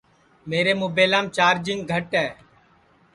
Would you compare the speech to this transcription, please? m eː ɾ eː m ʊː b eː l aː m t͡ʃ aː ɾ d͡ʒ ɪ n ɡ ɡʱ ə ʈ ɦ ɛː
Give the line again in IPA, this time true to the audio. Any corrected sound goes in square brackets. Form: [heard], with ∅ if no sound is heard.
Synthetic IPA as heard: m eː ɾ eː m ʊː b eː l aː m t͡ʃ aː ɾ d͡ʒ ɪ [ŋ] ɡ ɡʱ ə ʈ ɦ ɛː